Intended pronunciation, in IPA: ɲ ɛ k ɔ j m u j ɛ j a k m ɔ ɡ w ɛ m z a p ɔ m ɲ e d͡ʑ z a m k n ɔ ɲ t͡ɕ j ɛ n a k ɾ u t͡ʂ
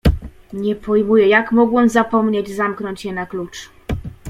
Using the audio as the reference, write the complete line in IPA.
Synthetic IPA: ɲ ɛ p ɔ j m u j ɛ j a k m ɔ ɡ w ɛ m z a p ɔ m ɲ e d͡ʑ z a m k n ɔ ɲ t͡ɕ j ɛ n a k l u t͡ʂ